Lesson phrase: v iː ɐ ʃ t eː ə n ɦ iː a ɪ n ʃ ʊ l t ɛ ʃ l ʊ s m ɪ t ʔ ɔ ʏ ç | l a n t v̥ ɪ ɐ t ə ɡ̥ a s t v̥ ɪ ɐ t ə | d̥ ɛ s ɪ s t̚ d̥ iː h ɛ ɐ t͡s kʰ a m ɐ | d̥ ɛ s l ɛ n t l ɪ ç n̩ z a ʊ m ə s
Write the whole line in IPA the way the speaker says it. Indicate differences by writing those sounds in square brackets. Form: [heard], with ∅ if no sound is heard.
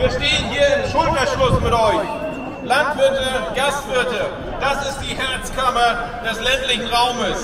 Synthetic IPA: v iː ɐ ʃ t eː ə n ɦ iː [ɐ] ɪ [m] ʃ ʊ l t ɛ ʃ l ʊ s m ɪ t ʔ ɔ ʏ ç | l a n t v̥ ɪ ɐ t ə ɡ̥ a s t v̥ ɪ ɐ t ə | d̥ [a] s ɪ s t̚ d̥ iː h ɛ ɐ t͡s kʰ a m ɐ | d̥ ɛ s l ɛ n t l ɪ ç n̩ [ʁ] a ʊ m ə s